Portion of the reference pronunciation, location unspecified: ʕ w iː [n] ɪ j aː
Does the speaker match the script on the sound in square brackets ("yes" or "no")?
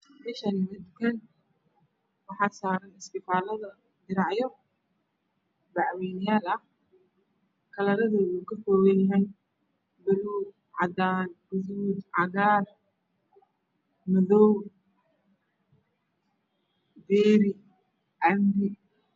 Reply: yes